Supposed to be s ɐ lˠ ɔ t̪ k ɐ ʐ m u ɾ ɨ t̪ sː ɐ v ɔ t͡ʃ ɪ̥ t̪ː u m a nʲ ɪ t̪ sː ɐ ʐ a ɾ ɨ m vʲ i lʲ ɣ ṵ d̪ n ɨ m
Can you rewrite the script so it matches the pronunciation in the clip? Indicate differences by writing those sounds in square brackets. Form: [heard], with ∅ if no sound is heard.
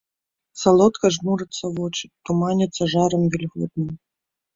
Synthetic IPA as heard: s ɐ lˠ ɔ t̪ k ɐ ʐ m u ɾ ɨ t̪ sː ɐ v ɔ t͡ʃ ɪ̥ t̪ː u m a nʲ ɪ t̪ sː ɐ ʐ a ɾ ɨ m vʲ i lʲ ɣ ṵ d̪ n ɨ m